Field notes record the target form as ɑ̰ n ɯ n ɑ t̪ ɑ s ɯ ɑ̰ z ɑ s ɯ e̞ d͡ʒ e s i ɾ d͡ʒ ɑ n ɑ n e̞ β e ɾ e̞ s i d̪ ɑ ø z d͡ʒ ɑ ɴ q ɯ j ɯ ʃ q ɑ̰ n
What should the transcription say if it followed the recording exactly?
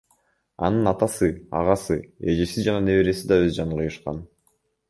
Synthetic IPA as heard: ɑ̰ n ɯ n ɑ t̪ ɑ s ɯ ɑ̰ ʁ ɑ s ɯ e̞ d͡ʒ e s i d͡ʒ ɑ n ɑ n e̞ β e ɾ e̞ s i d̪ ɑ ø z d͡ʒ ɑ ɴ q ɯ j ɯ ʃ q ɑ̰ n